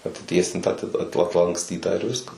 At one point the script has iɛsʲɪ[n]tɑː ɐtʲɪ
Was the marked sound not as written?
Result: no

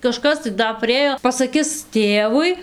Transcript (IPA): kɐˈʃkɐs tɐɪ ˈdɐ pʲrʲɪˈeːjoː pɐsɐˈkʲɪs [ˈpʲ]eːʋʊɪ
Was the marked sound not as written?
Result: yes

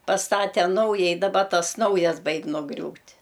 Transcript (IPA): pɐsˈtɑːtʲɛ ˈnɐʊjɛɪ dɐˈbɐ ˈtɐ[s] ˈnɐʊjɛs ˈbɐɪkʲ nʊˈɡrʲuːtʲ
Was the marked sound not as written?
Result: no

